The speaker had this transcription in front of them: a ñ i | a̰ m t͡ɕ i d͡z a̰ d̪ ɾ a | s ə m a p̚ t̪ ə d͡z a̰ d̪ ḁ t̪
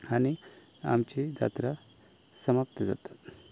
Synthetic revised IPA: a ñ i | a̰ m t͡ɕ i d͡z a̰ t̪ ɾ a | s ə m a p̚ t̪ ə d͡z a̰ t̪ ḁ t̪